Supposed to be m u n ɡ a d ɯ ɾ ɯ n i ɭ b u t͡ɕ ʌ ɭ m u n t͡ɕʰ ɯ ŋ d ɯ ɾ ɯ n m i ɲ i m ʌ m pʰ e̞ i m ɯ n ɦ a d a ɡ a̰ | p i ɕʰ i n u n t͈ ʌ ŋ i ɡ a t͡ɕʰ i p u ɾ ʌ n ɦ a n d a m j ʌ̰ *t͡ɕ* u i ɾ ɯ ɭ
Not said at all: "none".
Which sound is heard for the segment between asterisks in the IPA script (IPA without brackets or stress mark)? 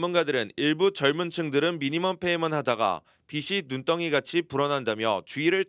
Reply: t͡ɕ